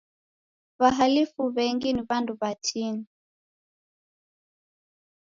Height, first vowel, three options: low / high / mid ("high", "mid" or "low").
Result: low